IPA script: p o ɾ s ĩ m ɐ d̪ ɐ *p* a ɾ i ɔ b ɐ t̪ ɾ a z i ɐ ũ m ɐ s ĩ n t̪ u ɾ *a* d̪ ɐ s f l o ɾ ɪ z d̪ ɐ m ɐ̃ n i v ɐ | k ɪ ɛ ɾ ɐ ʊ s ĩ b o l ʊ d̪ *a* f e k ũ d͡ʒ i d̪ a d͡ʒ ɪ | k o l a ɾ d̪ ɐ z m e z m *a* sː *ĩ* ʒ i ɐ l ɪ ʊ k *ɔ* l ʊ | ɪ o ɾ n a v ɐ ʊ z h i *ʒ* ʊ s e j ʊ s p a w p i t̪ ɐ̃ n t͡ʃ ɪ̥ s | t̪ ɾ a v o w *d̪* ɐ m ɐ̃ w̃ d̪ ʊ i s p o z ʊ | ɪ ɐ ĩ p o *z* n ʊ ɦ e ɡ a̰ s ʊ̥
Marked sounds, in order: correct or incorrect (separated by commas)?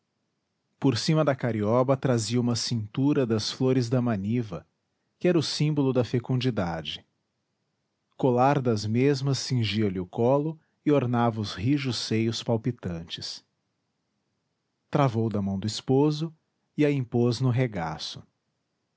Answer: incorrect, incorrect, incorrect, incorrect, correct, correct, correct, correct, correct